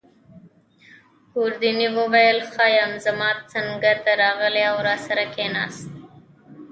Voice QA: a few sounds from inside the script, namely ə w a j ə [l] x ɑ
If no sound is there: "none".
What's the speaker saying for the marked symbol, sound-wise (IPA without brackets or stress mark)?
l